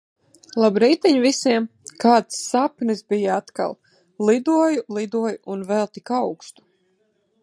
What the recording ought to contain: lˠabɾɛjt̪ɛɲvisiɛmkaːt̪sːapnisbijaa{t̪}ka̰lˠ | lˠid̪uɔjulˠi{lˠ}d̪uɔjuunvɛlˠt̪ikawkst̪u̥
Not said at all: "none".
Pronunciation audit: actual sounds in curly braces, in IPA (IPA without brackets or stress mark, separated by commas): t̪, none